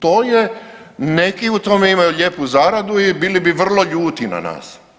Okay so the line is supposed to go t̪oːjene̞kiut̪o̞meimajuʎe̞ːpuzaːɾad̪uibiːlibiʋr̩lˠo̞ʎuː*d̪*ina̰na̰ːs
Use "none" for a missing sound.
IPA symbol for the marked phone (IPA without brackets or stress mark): t̪